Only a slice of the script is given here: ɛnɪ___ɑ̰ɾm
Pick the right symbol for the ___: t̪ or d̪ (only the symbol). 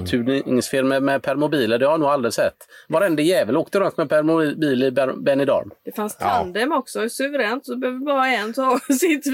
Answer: d̪